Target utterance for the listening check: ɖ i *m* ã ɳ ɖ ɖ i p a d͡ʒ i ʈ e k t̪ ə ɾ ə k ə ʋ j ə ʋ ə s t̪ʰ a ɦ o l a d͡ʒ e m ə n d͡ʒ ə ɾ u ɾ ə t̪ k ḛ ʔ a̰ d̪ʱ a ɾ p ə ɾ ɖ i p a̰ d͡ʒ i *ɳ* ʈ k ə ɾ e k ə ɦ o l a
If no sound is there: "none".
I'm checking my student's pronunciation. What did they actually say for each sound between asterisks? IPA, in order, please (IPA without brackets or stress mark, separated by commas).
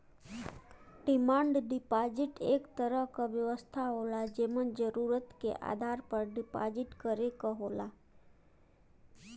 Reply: m, none